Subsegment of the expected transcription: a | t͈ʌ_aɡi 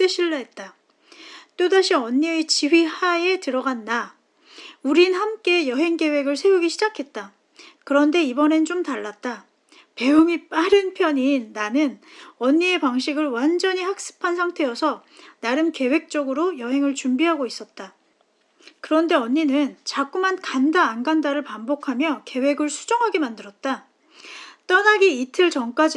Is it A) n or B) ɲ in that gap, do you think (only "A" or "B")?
A